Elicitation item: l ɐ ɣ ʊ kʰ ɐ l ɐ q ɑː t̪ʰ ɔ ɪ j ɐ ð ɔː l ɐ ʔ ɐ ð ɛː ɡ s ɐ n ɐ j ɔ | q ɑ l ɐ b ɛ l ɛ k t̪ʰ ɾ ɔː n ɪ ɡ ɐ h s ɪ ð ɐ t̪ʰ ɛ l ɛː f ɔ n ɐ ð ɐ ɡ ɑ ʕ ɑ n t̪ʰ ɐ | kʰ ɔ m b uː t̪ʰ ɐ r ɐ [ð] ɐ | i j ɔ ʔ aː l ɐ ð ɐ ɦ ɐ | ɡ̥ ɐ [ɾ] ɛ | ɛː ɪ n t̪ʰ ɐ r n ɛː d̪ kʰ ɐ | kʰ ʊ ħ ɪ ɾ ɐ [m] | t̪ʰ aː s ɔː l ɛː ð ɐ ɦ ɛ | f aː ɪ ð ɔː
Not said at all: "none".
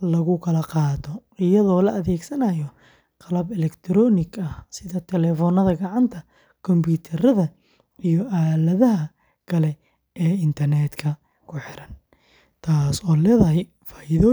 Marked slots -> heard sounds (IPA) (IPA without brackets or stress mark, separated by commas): ð, l, n